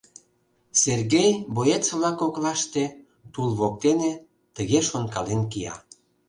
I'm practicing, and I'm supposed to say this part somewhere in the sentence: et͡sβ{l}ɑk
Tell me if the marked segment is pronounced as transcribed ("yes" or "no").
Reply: yes